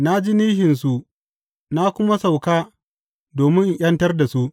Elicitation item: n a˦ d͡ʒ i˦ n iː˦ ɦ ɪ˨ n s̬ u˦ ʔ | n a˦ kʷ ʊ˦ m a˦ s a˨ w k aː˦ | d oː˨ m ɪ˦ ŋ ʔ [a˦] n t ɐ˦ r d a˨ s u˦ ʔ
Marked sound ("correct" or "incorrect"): incorrect